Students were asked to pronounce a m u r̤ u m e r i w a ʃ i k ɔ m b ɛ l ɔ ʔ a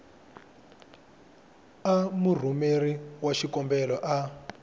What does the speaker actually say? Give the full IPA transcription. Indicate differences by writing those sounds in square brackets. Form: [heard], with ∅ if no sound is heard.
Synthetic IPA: a m u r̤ u m e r i w a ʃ i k ɔ m b ɛ l ɔ ʔ a